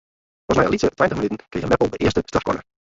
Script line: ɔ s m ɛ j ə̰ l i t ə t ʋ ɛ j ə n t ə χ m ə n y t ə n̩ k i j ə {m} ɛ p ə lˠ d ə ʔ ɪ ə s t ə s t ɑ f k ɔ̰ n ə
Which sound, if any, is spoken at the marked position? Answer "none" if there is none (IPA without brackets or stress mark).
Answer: m